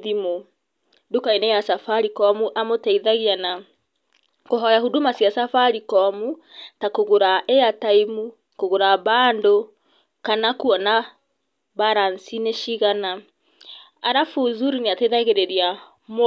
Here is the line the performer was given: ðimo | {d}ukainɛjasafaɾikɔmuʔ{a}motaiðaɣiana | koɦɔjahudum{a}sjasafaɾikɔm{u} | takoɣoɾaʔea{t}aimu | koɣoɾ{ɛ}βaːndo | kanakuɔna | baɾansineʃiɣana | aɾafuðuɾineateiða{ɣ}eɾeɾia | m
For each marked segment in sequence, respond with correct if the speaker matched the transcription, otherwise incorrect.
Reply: correct, correct, correct, correct, correct, incorrect, correct

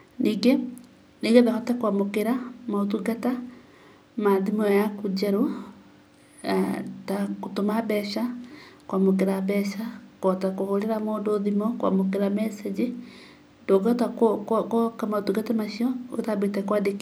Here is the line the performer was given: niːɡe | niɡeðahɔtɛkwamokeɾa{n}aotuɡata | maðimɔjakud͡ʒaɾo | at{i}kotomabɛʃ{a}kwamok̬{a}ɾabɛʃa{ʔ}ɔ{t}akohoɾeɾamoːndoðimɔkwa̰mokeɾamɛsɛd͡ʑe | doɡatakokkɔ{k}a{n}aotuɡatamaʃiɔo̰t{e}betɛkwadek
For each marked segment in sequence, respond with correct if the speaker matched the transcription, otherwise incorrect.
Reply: incorrect, incorrect, correct, incorrect, incorrect, correct, correct, incorrect, incorrect

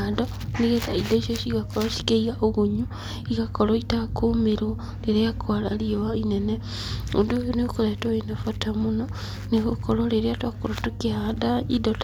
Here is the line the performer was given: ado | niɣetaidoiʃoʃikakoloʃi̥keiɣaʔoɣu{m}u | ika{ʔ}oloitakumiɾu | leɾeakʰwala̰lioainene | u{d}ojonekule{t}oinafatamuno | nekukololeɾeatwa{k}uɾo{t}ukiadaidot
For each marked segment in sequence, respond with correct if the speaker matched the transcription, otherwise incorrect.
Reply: incorrect, incorrect, correct, correct, correct, correct

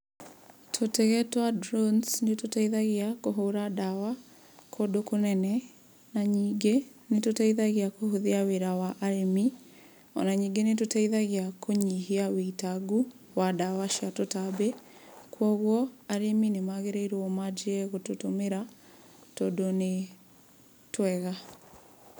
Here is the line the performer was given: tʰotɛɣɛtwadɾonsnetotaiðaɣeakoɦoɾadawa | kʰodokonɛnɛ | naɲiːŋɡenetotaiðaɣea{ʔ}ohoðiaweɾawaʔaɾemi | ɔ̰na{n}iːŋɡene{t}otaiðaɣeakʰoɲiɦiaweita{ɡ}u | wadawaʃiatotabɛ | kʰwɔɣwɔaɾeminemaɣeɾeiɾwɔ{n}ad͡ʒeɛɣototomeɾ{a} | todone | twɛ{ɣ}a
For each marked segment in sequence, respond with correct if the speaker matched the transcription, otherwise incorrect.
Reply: incorrect, incorrect, correct, correct, incorrect, correct, correct

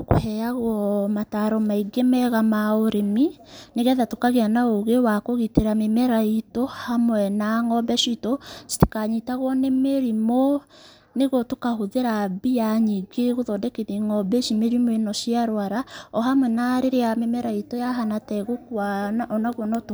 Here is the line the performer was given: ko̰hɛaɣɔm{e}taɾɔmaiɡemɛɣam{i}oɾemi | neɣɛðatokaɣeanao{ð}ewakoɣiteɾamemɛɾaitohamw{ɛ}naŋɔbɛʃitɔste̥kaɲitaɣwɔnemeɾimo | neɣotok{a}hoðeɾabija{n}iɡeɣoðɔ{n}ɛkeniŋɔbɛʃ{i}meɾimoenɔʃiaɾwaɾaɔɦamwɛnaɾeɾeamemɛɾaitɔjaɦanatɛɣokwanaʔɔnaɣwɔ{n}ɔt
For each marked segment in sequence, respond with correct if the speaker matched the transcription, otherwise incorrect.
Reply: incorrect, incorrect, incorrect, correct, correct, incorrect, incorrect, correct, correct

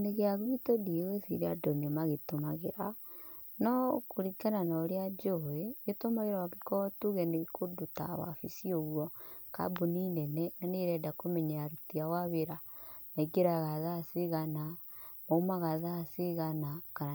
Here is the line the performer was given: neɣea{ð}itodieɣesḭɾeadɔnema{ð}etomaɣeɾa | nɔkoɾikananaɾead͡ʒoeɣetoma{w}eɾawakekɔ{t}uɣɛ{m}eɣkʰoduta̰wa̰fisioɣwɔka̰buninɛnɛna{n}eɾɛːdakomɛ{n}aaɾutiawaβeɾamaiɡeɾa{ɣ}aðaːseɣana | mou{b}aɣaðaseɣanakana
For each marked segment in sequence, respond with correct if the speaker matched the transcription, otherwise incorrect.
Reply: incorrect, incorrect, incorrect, correct, incorrect, correct, incorrect, correct, incorrect

